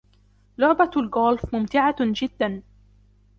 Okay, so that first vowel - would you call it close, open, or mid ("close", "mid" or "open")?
close